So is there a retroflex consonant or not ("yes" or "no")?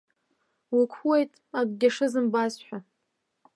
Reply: yes